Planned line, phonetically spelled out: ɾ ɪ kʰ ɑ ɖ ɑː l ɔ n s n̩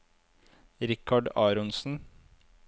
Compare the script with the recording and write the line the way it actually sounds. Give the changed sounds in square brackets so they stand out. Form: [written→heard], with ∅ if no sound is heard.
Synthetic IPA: ɾ ɪ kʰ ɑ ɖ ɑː [l→ɾ] ɔ n s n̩